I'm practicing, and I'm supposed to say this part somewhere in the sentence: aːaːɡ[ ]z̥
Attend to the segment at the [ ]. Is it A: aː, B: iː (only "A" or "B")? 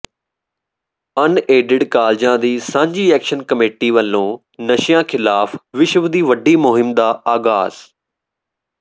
A